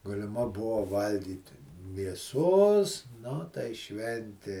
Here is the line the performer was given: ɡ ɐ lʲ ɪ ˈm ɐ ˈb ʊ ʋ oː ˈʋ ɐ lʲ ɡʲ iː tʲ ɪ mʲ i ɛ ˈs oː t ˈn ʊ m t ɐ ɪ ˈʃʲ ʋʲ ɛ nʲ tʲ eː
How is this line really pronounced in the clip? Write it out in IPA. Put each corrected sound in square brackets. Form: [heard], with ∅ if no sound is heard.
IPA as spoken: ɡ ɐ lʲ ɪ ˈm ɐ ˈb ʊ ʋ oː ˈʋ ɐ lʲ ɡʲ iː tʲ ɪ mʲ i ɛ ˈs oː [s] ˈn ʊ [∅] t ɐ ɪ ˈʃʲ ʋʲ ɛ nʲ tʲ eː